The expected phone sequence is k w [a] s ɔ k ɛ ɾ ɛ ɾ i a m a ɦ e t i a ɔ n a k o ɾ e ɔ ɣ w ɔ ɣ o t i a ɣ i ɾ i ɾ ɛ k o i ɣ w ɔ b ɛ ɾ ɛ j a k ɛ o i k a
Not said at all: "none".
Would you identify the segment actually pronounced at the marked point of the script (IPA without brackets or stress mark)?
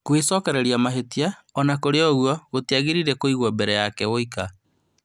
e